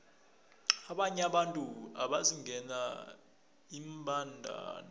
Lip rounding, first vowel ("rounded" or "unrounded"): unrounded